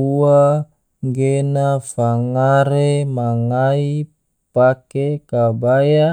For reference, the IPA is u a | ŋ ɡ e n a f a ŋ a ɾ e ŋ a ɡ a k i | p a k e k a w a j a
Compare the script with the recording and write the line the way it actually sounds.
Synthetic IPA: u a | ŋ ɡ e n a f a ŋ a ɾ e m a ŋ a i | p a k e k a b a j a